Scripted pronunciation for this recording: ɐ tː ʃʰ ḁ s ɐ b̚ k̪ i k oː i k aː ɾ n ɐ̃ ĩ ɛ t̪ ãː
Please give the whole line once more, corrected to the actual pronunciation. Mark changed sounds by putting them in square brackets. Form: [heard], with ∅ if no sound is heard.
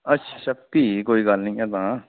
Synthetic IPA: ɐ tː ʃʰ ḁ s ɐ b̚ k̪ i k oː i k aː [l] n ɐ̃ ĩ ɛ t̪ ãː